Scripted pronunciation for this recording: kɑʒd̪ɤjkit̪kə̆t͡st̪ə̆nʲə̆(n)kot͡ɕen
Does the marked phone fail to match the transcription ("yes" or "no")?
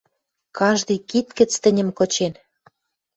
yes